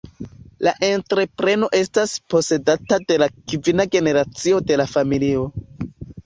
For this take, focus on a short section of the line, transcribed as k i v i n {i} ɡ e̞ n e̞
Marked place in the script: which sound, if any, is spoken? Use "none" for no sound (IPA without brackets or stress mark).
a